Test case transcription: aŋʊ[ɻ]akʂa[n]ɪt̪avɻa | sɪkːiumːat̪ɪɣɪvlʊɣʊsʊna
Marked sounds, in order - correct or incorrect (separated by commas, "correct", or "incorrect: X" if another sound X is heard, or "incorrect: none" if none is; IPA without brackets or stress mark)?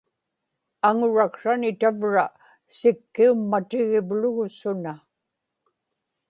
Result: correct, correct